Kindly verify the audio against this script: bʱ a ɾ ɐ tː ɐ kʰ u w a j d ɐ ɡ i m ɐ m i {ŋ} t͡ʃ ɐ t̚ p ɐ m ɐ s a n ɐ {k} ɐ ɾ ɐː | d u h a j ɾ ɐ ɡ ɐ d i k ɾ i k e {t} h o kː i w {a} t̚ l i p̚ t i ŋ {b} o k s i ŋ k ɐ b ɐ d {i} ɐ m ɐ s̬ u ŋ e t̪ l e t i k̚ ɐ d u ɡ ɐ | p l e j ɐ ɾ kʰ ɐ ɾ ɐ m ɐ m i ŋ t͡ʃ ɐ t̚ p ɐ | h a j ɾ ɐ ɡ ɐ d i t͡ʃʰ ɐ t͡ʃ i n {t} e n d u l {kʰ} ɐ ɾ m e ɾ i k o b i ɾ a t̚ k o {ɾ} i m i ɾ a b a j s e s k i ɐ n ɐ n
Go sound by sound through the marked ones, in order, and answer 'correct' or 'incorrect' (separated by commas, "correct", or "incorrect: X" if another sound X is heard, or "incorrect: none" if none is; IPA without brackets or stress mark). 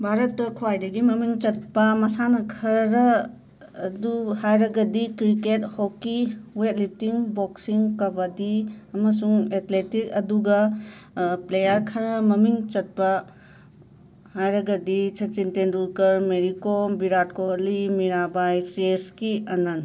correct, incorrect: kʰ, correct, incorrect: e, correct, correct, correct, incorrect: k, incorrect: l